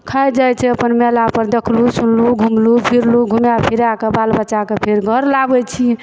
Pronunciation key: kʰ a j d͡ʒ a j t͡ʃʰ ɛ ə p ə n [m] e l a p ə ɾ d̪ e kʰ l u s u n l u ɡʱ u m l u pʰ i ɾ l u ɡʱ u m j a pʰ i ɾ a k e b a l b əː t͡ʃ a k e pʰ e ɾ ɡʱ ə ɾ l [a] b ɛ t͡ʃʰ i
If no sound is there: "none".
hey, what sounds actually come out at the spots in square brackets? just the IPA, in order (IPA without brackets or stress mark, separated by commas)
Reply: m, a